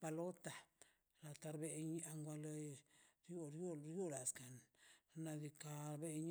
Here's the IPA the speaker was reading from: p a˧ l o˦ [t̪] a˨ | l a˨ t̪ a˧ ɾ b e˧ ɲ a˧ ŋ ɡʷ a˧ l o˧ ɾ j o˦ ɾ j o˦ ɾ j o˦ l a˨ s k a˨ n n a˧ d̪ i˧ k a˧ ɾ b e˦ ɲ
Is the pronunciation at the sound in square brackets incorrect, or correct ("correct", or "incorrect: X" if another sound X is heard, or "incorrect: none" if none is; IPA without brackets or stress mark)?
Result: correct